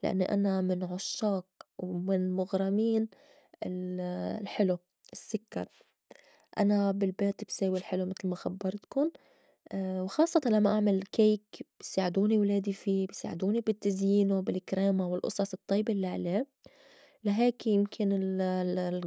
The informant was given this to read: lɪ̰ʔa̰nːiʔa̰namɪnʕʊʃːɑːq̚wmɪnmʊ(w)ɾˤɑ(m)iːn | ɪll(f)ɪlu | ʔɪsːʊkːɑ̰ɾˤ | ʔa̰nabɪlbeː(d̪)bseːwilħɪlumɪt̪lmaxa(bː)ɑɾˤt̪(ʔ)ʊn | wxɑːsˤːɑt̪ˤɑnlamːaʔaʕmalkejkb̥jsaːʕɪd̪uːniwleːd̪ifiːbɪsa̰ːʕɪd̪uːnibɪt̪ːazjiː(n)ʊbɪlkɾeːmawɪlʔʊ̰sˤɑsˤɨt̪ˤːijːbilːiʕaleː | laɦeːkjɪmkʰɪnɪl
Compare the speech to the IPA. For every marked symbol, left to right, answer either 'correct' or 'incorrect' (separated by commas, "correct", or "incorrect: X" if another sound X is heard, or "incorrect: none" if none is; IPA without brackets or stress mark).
incorrect: ɣ, correct, incorrect: ħ, incorrect: t̪, correct, incorrect: k, correct